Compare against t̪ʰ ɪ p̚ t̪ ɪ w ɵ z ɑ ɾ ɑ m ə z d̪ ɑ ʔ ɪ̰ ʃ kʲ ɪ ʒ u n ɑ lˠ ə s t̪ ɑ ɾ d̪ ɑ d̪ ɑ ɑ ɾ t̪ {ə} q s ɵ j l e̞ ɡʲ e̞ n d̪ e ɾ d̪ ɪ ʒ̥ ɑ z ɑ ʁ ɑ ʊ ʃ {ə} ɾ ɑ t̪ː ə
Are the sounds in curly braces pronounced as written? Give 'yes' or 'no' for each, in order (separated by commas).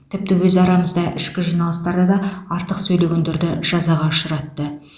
yes, yes